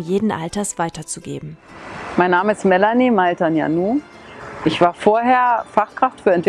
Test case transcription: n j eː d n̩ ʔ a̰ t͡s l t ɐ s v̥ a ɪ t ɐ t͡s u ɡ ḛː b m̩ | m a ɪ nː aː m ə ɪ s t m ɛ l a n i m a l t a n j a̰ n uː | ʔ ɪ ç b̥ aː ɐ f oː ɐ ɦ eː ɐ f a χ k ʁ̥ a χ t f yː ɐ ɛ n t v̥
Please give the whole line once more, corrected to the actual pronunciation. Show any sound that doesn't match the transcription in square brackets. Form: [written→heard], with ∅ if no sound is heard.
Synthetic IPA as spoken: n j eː d n̩ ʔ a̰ [t͡s→∅] l t ɐ s v̥ a ɪ t ɐ t͡s u ɡ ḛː b m̩ | m a ɪ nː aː m ə ɪ s t m ɛ l a n i m a l t a n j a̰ n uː | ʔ ɪ ç [b̥→v̥] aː ɐ f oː ɐ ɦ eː ɐ f a χ k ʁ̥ a [χ→f] t f yː ɐ ɛ n t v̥

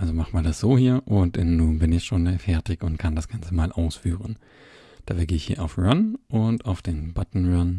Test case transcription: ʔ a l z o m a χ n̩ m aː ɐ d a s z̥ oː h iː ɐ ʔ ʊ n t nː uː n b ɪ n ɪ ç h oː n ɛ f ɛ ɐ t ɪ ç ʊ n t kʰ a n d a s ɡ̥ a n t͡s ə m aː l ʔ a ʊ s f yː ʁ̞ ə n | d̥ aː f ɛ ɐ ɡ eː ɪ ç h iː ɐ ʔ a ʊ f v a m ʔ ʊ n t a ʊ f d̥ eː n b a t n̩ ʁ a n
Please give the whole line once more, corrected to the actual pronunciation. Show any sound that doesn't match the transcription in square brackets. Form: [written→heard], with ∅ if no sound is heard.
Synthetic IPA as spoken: ʔ a l z o m a χ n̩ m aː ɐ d a s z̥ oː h iː ɐ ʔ ʊ n t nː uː n b ɪ n ɪ ç [h→ʃ] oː n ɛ f ɛ ɐ t ɪ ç ʊ n t kʰ a n d a s ɡ̥ a n t͡s ə m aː l ʔ a ʊ s f yː ʁ̞ ə n | d̥ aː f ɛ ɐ ɡ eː ɪ ç h iː ɐ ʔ a ʊ f [v→ʁ] a [m→n] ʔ ʊ n t a ʊ f d̥ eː n b a t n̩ ʁ a n

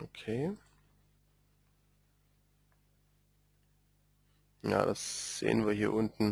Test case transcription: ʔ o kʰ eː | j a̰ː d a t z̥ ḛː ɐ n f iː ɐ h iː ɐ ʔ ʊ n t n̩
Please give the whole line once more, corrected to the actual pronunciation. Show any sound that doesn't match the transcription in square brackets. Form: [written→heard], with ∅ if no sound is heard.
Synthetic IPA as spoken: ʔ o kʰ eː | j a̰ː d a [t→s] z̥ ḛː [ɐ→ə] n [f→v] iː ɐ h iː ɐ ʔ ʊ n t n̩

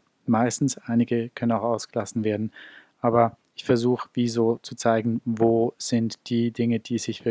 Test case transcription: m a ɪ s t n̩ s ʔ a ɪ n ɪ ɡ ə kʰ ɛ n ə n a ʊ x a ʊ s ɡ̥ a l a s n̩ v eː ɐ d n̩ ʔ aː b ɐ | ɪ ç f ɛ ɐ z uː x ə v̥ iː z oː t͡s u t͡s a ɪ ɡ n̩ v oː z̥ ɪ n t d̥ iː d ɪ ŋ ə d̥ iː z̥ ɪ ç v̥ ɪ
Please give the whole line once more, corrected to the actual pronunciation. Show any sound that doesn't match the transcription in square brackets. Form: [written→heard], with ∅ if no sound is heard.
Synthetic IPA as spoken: m a ɪ s t n̩ s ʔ a ɪ n ɪ ɡ ə kʰ [ɛ→œ] n ə n a ʊ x a ʊ s ɡ̥ [a→ə] l a s n̩ v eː ɐ d n̩ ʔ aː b ɐ | ɪ ç f ɛ ɐ z uː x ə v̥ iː z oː t͡s u t͡s a ɪ ɡ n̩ v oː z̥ ɪ n t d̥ iː d ɪ ŋ ə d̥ iː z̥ ɪ ç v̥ ɪ

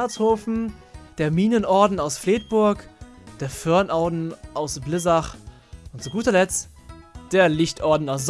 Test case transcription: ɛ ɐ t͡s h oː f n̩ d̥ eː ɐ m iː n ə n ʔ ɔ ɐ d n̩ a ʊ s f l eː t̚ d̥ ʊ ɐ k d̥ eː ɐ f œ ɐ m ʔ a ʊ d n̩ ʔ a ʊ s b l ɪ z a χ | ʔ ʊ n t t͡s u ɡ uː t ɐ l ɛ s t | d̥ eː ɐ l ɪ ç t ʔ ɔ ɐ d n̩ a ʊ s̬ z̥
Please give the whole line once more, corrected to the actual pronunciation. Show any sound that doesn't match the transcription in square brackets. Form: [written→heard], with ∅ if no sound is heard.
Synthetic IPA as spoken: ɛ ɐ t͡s h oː f n̩ d̥ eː ɐ m iː n ə n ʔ ɔ ɐ d n̩ a ʊ s f l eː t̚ [d̥→b̥] ʊ ɐ k d̥ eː ɐ f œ ɐ [m→n] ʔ a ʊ d n̩ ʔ a ʊ s b l ɪ z a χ | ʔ ʊ n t t͡s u ɡ uː t ɐ l ɛ [s→t͡s] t | d̥ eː ɐ l ɪ ç t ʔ ɔ ɐ d n̩ a ʊ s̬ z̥

